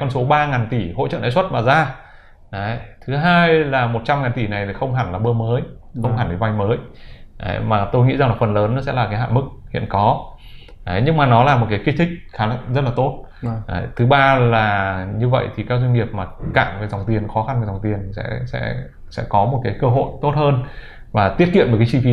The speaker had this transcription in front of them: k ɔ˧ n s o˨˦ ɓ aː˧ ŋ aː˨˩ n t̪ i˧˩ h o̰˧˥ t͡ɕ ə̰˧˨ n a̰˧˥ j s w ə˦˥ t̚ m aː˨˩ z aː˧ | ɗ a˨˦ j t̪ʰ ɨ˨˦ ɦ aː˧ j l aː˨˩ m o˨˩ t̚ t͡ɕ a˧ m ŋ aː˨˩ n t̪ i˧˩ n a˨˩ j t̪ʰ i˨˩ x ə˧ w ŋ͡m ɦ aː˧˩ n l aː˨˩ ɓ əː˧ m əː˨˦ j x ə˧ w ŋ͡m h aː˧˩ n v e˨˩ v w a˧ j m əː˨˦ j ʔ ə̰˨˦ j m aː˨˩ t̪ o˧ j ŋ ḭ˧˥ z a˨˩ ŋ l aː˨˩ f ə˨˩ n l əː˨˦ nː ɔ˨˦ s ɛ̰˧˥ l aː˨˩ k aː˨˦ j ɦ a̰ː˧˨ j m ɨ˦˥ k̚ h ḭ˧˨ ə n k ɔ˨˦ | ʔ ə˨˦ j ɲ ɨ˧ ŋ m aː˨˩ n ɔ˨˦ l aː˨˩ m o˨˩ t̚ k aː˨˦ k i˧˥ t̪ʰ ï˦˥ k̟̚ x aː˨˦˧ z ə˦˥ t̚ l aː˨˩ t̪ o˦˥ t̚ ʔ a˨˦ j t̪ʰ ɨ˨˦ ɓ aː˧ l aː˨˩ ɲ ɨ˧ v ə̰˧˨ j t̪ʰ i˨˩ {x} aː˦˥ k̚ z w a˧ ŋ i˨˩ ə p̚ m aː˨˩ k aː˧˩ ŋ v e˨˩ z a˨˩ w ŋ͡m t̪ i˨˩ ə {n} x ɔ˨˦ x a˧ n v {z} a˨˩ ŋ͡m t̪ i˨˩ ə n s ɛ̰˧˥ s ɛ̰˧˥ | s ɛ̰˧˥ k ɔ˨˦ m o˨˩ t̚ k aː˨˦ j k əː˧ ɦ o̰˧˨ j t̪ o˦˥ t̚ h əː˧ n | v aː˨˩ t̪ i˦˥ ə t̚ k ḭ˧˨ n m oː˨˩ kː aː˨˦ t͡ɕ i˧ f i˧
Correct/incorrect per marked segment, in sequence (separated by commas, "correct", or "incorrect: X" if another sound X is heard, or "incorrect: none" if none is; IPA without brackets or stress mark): incorrect: k, correct, correct